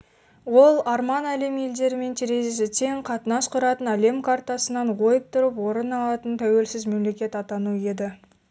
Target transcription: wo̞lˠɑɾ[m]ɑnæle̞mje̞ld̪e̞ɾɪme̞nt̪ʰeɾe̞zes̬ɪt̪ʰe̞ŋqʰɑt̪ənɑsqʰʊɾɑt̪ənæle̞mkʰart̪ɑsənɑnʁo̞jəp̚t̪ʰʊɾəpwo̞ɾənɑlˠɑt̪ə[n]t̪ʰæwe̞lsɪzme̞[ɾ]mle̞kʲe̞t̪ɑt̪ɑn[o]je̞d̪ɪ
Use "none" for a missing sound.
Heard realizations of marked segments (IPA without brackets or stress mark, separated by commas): m, n, none, u